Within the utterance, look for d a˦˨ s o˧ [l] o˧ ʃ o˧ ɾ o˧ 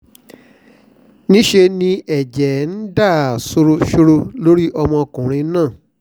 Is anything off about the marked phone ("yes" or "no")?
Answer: yes